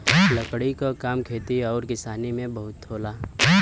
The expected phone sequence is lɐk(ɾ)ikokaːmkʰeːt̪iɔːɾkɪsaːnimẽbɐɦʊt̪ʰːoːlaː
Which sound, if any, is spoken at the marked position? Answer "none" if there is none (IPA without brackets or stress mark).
ɽ